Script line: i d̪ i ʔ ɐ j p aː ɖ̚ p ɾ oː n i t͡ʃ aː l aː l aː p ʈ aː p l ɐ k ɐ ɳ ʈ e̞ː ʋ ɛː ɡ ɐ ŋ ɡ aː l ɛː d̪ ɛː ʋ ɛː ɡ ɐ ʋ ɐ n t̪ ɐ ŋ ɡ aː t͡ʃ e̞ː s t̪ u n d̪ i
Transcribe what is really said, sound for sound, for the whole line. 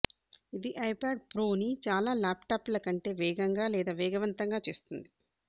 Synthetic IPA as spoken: i d̪ i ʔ ɐ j p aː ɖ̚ p ɾ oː n i t͡ʃ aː l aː l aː p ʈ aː p l ɐ k ɐ ɳ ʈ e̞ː ʋ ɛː ɡ ɐ ŋ ɡ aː l ɛː d̪ aː ʋ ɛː ɡ ɐ ʋ ɐ n t̪ ɐ ŋ ɡ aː t͡ʃ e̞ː s t̪ u n d̪ i